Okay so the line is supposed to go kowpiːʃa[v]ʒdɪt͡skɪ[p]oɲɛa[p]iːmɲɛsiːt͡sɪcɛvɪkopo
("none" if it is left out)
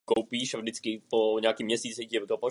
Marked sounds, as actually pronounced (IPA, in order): v, p, k

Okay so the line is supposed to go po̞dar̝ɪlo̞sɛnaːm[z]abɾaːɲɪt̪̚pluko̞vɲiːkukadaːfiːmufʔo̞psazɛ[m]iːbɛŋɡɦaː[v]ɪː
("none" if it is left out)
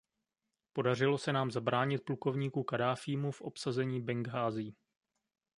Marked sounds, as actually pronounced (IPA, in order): z, ɲ, z

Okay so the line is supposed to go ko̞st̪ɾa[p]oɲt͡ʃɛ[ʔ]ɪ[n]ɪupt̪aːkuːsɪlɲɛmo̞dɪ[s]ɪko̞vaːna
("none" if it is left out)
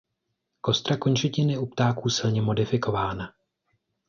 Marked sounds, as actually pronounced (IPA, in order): k, c, n, f

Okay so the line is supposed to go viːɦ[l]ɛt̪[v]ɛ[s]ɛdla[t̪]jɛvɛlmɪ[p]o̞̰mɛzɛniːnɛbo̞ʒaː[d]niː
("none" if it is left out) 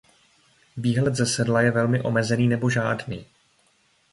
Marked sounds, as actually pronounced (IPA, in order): l, z, s, none, ʔ, d

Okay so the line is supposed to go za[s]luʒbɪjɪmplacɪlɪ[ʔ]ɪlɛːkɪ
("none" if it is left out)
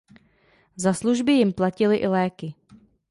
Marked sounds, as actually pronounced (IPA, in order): s, ʔ

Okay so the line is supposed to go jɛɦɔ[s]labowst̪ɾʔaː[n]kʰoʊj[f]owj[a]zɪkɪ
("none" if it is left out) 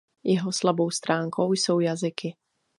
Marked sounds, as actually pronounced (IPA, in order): s, ŋ, s, a

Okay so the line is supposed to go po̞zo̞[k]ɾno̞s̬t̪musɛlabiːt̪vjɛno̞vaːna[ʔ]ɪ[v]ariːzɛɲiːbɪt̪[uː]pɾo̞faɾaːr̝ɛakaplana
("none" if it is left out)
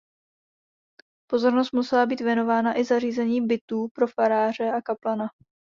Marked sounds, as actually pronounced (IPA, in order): none, ʔ, z, uː

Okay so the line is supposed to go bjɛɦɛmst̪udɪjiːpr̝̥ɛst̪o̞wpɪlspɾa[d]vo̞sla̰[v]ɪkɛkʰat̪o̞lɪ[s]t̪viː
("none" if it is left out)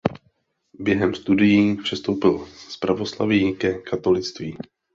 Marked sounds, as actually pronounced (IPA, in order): none, v, t͡s

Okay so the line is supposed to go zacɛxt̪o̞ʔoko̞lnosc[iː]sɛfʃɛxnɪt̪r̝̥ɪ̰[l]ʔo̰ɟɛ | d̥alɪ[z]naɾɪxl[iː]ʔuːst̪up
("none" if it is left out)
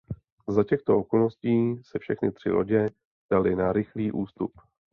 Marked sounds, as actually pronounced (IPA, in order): iː, l, none, iː

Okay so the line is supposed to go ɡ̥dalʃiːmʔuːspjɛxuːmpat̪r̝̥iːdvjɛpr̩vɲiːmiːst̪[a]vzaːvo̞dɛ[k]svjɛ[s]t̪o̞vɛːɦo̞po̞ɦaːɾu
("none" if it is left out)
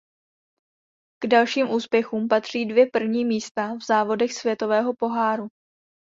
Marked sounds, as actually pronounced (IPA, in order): a, x, none

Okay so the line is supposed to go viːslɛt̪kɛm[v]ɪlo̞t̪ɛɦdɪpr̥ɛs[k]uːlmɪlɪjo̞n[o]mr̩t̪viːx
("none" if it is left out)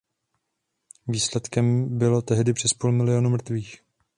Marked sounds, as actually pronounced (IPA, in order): b, p, u

